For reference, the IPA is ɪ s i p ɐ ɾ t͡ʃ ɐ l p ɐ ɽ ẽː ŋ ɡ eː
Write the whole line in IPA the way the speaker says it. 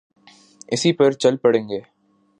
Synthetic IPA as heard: ɪ s i p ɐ ɾ t͡ʃ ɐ l p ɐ ɽ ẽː ŋ ɡ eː